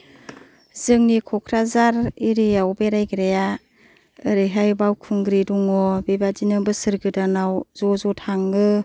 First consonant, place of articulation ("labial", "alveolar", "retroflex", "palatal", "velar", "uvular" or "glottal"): alveolar